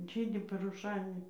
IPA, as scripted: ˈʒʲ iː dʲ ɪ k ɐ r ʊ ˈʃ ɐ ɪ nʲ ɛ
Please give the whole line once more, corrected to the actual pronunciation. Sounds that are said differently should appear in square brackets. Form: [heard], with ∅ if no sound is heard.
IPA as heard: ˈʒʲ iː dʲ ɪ [p] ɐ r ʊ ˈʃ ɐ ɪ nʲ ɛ